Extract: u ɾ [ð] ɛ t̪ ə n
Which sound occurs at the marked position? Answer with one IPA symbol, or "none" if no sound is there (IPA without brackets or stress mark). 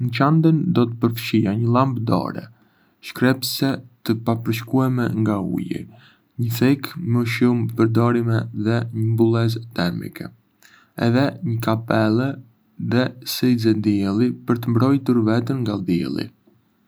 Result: v